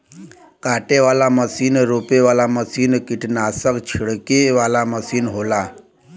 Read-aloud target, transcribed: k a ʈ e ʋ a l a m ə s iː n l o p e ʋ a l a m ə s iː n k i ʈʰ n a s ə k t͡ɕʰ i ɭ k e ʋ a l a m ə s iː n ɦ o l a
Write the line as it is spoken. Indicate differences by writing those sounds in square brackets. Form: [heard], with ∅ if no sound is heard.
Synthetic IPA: k a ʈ e ʋ a l a m ə s iː n [ɾ] o p e ʋ a l a m ə s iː n k i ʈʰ n a s ə k t͡ɕʰ i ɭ k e ʋ a l a m ə s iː n ɦ o l a